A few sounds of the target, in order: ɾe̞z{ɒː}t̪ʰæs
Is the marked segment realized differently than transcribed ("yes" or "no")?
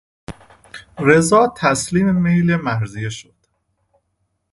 no